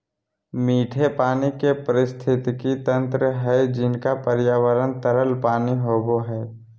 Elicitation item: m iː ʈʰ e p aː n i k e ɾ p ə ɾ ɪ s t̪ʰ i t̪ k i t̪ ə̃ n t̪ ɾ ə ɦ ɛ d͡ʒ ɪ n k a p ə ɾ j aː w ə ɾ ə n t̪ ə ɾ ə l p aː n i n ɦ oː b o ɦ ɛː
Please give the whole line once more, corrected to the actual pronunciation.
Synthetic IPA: m iː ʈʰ e p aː n i k e p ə ɾ ɪ s t̪ʰ ɪ t̪ k i t̪ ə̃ n t̪ ɾ ə ɦ ɛ d͡ʒ ɪ n k a p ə ɾ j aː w ə ɾ ə n t̪ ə ɾ ə l p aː n i ɦ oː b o ɦ ɛː

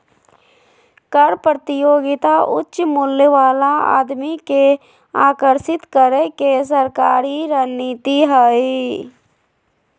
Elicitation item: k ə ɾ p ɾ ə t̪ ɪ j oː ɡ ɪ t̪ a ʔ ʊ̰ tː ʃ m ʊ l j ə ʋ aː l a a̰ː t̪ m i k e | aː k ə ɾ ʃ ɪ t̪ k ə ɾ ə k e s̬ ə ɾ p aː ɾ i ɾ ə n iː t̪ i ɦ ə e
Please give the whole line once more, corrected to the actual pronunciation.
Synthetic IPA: k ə ɾ p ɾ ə t̪ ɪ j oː ɡ ɪ t̪ a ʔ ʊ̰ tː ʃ m ʊ l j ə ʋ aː l a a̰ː d̪ m i k e | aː k ə ɾ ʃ ɪ t̪ k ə ɾ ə k e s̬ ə ɾ k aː ɾ i ɾ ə n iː t̪ i ɦ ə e

